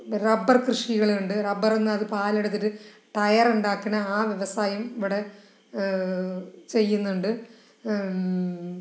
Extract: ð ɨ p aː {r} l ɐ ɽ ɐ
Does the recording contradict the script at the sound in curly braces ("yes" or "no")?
yes